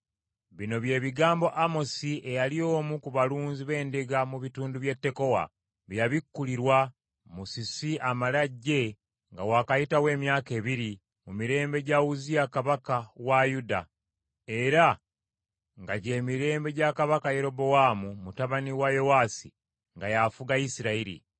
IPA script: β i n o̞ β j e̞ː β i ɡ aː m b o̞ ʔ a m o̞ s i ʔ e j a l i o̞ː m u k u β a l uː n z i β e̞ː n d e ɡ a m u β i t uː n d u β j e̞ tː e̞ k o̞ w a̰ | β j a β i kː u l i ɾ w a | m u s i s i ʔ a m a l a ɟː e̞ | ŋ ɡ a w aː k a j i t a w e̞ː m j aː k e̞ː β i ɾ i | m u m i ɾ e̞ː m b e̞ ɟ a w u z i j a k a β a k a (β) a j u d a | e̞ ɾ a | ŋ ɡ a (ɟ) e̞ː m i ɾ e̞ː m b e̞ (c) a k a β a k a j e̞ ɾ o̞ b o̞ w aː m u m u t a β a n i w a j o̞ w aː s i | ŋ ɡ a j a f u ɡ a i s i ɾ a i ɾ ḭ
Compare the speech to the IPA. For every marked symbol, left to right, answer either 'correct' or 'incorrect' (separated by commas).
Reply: incorrect, correct, incorrect